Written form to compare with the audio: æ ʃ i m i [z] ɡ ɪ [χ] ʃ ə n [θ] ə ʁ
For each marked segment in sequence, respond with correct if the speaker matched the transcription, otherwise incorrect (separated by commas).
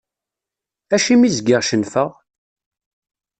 correct, incorrect, incorrect